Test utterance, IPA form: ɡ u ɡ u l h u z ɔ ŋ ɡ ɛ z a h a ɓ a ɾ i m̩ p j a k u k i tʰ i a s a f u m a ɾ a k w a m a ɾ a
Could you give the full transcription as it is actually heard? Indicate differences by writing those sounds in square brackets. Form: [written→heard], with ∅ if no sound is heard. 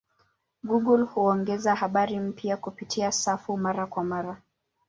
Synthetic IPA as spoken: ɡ u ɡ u l h u [z→∅] ɔ ŋ ɡ ɛ z a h a ɓ a ɾ i m̩ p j a k u [k→p] i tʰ i a s a f u m a ɾ a k w a m a ɾ a